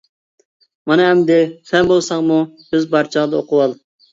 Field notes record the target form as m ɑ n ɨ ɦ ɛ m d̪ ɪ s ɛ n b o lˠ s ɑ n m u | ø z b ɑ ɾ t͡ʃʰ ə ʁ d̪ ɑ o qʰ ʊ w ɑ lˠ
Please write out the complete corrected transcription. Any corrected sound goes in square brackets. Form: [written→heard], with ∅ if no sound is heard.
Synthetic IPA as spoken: m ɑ n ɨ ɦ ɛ m d̪ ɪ s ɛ n b o lˠ s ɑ [n→ŋ] m u | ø z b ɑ ɾ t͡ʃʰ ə ʁ d̪ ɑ o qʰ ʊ w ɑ lˠ